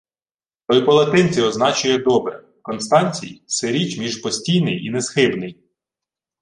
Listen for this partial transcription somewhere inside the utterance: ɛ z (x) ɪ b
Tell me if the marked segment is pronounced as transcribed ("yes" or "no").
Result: yes